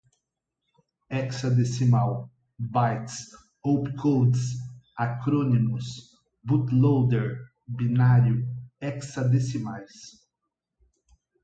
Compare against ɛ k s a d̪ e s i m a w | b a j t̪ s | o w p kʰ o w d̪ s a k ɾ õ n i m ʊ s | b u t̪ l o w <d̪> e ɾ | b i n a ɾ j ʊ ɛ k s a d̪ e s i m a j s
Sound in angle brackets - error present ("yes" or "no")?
no